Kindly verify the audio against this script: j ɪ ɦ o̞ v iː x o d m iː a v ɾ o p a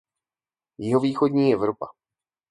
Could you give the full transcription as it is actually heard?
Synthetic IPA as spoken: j ɪ ɦ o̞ v iː x o d ɲ iː ɛ v ɾ o p a